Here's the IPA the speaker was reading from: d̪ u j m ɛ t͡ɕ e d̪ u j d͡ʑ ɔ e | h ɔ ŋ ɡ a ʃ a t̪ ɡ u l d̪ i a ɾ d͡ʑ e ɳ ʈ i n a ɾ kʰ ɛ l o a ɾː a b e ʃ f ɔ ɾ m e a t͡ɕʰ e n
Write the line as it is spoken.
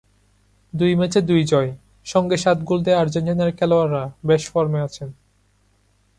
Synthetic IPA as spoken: d̪ u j m ɛ t͡ɕ e d̪ u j d͡ʑ ɔ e | ʃ ɔ ŋ ɡ e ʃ a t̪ ɡ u l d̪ e a ɾ d͡ʑ e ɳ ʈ i n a ɾ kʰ ɛ l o a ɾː a b e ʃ f ɔ ɾ m e a t͡ɕʰ e n